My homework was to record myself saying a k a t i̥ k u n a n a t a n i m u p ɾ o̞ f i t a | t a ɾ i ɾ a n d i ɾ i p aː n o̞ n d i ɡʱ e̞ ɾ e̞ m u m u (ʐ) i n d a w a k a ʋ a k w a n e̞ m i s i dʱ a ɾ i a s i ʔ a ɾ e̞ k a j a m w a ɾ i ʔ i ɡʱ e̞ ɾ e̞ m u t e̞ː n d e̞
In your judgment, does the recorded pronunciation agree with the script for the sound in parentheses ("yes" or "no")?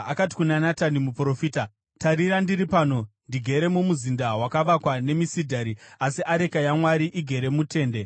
no